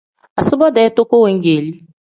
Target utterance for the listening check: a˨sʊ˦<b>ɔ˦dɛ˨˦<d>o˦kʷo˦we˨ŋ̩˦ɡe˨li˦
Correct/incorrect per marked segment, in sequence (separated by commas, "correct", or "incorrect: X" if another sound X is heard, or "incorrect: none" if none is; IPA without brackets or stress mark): correct, incorrect: t